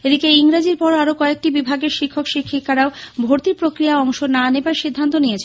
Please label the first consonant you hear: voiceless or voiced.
voiced